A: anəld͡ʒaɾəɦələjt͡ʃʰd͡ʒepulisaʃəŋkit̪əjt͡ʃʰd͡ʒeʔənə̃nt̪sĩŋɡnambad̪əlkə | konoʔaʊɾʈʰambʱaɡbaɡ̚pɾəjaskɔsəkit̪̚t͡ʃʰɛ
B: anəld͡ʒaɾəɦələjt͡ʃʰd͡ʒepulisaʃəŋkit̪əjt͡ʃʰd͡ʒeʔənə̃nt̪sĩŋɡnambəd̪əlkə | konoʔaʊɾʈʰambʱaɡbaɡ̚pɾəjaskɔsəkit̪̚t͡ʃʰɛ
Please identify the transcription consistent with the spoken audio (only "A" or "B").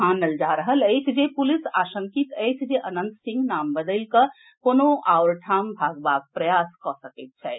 B